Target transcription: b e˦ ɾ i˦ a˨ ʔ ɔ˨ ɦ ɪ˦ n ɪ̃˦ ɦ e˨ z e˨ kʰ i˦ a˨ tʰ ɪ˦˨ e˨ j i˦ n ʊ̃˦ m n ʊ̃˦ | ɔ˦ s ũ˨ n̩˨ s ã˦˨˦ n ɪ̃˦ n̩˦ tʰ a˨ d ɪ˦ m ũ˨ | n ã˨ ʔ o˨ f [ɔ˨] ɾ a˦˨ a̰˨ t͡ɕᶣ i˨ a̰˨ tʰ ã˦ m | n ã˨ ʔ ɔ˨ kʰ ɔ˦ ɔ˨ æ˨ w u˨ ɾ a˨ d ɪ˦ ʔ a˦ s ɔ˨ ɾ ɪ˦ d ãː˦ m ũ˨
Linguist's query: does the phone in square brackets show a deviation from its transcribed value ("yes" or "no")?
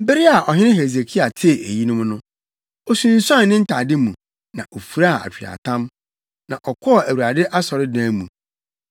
yes